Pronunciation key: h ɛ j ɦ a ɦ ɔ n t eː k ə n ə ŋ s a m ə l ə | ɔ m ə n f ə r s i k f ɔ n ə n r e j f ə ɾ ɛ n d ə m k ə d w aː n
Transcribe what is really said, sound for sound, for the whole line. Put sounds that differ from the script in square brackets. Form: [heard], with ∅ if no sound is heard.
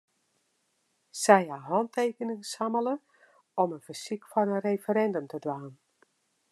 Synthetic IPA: [s] ɛ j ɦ a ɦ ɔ n t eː k ə n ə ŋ s a m ə l ə | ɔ m ə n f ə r s i k f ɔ n ə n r e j f ə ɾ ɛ n d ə m [t] ə d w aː n